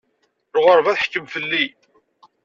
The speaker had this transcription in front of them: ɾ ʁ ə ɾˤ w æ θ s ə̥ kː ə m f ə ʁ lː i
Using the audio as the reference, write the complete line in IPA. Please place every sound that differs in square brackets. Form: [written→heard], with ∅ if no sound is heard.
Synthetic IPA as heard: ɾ ʁ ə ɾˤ [w→v] æ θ [s→ħ] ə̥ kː ə m f ə [ʁ→∅] lː i